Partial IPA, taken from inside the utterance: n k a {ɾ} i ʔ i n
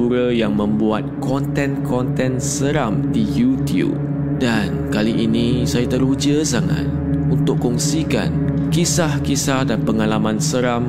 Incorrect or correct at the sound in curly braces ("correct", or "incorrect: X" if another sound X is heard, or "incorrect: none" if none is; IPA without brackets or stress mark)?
incorrect: l